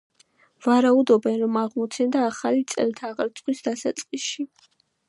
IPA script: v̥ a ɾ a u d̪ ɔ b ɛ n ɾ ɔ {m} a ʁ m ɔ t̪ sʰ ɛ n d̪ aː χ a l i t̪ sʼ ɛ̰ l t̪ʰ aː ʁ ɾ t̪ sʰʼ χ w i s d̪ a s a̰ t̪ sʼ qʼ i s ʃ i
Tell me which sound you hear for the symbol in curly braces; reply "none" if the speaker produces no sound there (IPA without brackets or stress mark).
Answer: m